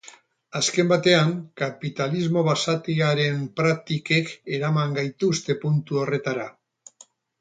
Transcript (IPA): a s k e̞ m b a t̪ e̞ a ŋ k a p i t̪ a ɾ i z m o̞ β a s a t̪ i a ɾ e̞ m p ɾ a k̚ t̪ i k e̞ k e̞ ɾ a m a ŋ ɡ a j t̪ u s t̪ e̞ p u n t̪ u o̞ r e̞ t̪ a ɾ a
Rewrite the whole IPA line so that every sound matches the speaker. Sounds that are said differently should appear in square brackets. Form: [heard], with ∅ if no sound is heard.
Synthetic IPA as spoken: a s k e̞ m b a t̪ e̞ a ŋ k a p i t̪ a [l] i z m o̞ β a s a t̪ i a ɾ e̞ m p ɾ a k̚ t̪ i k e̞ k e̞ ɾ a m a ŋ ɡ a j t̪ u s t̪ e̞ p u n t̪ u o̞ r e̞ t̪ a ɾ a

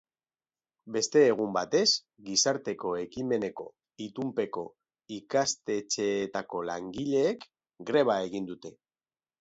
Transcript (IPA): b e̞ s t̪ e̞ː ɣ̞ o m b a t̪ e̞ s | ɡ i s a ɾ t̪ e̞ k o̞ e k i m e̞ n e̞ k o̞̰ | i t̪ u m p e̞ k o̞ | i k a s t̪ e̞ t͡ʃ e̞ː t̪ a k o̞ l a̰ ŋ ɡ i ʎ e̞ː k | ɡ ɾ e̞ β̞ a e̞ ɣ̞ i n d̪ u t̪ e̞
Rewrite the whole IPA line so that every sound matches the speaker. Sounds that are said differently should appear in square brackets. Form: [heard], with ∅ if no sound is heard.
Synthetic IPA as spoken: b e̞ s t̪ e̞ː ɣ̞ [u] m b a t̪ e̞ s | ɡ i s a ɾ t̪ e̞ k o̞ e k i m e̞ n e̞ k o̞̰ | i t̪ u m p e̞ k o̞ | i k a s t̪ e̞ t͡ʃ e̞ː t̪ a k o̞ l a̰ ŋ ɡ i ʎ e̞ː k | ɡ ɾ e̞ β̞ a e̞ ɣ̞ i n d̪ u t̪ e̞

